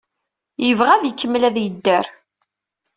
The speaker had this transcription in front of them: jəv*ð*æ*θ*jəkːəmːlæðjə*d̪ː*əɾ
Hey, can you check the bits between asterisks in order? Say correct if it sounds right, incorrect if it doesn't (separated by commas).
incorrect, incorrect, correct